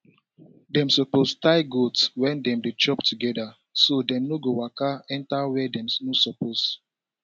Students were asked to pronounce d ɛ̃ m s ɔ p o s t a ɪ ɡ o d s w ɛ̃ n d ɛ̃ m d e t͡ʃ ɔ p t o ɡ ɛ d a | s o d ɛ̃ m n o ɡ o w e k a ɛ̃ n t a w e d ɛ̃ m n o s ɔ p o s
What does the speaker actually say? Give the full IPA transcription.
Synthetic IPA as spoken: d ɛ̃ m s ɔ p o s t a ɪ ɡ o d s w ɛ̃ n d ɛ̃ m d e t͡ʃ ɔ p t u ɡ ɛ d a | s o d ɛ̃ m n o ɡ o w a k a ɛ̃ n t a w ɛ d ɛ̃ m n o s ɔ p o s